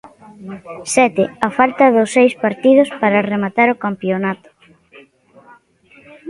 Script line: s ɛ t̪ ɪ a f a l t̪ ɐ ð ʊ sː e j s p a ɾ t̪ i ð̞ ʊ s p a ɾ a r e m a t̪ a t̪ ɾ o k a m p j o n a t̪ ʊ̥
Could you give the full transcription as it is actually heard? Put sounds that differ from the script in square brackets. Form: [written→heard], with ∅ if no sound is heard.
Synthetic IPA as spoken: s ɛ t̪ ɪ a f a l t̪ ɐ ð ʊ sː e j s p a ɾ t̪ i ð̞ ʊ s p a ɾ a r e m a t̪ a [t̪→∅] ɾ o k a m p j o n a t̪ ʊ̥

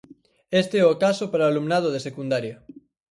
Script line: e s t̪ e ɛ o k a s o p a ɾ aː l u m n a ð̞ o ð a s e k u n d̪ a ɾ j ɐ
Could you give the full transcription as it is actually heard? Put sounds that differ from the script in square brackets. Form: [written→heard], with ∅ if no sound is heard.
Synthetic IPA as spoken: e s t̪ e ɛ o k a s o p a ɾ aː l u m n a ð̞ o ð [a→e] s e k u n d̪ a ɾ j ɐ

